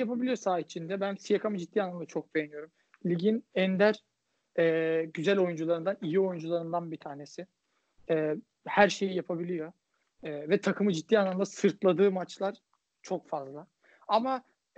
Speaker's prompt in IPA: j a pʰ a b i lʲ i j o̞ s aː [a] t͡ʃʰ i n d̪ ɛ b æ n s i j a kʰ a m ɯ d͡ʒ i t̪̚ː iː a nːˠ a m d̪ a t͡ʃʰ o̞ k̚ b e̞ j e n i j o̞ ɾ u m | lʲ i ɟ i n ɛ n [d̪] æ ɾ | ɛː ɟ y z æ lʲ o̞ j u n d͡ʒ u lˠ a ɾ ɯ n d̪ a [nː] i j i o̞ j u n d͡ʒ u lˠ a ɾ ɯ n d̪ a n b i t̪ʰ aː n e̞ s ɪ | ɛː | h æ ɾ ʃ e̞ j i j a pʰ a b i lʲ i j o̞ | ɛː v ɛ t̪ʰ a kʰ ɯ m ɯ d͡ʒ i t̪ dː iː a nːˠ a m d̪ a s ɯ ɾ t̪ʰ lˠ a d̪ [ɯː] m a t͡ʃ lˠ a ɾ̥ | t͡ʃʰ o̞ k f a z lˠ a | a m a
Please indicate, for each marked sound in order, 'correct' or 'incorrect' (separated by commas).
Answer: incorrect, correct, incorrect, correct